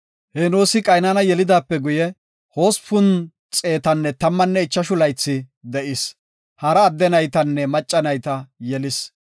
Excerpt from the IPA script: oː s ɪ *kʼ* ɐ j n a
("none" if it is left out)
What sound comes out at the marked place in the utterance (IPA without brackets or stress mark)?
kʼ